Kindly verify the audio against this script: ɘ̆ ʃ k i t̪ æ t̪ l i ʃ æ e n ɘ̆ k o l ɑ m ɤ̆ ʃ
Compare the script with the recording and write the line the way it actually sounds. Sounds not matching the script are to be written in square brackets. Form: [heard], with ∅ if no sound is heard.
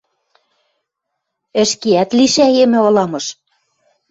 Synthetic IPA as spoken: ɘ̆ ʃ k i [∅] æ t̪ l i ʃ æ e [m] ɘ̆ [∅] o l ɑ m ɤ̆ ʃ